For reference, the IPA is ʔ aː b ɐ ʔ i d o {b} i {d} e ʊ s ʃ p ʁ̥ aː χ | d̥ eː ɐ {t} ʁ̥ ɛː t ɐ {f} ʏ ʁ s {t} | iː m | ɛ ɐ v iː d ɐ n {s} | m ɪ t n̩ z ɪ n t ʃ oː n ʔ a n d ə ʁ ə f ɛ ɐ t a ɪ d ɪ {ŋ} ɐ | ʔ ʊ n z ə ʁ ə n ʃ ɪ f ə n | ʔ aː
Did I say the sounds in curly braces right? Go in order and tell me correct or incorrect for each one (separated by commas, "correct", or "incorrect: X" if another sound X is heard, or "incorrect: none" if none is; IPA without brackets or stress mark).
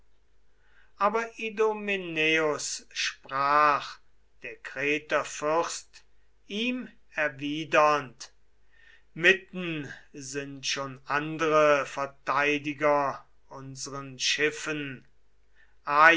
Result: incorrect: m, incorrect: n, incorrect: k, correct, correct, incorrect: t, incorrect: ɡ